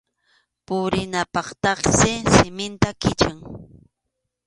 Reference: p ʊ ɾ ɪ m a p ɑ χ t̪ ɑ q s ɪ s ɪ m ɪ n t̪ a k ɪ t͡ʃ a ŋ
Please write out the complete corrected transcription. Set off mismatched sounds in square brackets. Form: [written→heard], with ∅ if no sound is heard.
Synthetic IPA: p ʊ ɾ ɪ [m→n] a p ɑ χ t̪ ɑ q s ɪ s ɪ m ɪ n t̪ a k ɪ t͡ʃ a ŋ